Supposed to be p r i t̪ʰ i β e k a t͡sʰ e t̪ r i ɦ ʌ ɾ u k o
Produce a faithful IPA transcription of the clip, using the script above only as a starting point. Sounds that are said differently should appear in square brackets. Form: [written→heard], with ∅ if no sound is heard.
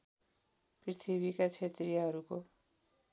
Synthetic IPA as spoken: p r i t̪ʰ i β [e→i] k a t͡sʰ e t̪ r i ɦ ʌ ɾ u k o